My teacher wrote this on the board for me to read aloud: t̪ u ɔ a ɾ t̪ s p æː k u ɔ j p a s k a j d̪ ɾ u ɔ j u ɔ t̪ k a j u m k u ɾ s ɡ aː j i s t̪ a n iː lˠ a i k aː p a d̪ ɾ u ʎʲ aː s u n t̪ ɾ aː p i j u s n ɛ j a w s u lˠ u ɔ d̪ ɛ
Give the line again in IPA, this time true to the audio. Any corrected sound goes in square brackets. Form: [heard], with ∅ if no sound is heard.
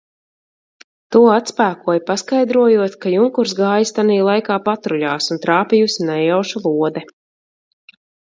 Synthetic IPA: t̪ u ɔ a [∅] t̪ s p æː k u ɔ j p a s k a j d̪ ɾ u ɔ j u ɔ t̪ k a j u [ŋ] k u ɾ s ɡ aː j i s t̪ a n iː lˠ a [j] k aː p a [t̪] ɾ u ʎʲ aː s u n t̪ ɾ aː p i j u s n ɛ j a w [ʃ] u lˠ u ɔ d̪ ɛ